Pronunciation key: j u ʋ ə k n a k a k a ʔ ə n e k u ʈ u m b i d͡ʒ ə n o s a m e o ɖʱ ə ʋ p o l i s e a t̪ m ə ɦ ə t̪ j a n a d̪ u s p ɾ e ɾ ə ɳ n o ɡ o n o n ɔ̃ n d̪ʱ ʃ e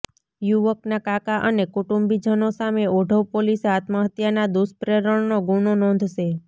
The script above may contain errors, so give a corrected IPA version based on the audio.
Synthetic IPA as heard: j u ʋ ə k n a k a k a ʔ ə n e k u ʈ u m b i d͡ʒ ə n o s a m e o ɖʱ ə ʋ p o l i s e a t̪ m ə ɦ ə t̪ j a n a d̪ u s p ɾ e ɾ ə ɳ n o ɡ u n o n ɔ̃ n d̪ʱ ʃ e